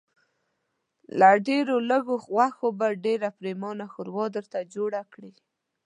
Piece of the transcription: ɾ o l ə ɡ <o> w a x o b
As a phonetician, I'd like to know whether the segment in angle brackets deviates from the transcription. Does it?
no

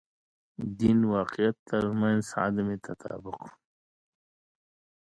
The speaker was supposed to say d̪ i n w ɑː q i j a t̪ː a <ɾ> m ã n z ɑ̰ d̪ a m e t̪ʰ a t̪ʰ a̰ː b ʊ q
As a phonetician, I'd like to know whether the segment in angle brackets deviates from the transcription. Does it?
no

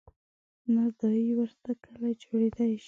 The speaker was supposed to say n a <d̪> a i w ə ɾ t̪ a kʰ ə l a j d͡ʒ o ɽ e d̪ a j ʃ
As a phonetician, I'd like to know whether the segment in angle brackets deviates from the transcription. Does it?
no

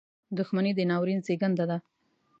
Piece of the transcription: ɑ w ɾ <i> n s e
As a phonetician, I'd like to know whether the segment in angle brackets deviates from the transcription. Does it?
no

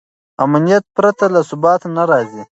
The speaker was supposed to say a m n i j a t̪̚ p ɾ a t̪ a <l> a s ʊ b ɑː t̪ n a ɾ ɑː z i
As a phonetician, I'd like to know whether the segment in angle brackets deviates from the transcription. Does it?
no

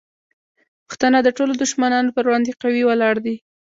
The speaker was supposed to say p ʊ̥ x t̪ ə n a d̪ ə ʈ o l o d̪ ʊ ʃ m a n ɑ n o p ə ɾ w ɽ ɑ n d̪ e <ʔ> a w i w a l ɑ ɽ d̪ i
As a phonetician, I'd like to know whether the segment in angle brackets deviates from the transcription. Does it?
yes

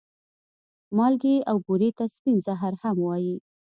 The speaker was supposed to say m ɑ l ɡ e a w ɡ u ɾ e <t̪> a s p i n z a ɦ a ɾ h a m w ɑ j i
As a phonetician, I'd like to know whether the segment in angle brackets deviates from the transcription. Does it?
no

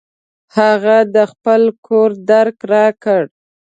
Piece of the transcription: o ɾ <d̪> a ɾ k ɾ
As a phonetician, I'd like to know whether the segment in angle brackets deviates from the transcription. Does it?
no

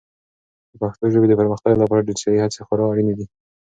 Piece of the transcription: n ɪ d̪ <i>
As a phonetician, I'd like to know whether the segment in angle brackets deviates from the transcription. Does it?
no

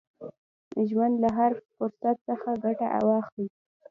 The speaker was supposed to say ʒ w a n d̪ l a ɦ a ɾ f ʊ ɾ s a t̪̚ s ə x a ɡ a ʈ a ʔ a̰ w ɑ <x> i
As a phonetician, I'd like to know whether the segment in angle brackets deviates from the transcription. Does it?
no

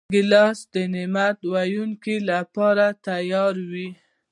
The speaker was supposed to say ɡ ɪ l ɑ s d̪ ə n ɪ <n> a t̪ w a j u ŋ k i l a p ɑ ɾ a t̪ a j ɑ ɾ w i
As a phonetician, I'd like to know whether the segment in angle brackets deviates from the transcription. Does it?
yes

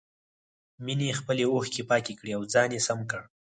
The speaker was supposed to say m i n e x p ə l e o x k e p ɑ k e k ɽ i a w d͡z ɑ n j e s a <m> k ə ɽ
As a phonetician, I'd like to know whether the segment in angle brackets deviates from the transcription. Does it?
no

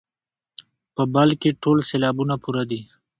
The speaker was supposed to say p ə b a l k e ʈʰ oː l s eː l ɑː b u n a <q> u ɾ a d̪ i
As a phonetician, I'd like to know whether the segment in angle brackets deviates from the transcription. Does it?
yes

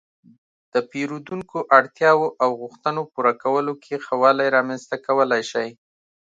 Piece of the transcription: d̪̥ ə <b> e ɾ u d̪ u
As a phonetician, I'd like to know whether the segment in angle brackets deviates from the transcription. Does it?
yes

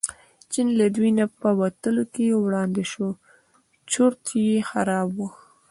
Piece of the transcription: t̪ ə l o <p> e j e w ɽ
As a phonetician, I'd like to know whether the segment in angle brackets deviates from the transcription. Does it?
yes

